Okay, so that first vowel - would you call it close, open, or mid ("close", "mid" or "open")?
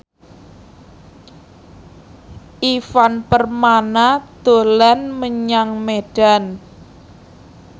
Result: close